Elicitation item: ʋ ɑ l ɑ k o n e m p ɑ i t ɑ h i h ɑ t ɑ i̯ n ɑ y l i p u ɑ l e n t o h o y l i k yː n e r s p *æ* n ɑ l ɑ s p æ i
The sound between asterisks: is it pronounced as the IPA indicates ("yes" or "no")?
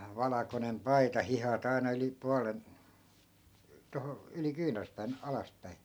no